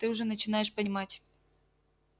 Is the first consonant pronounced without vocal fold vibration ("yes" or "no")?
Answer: yes